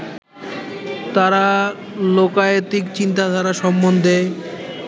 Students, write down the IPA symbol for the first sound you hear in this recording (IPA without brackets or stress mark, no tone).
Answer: t̪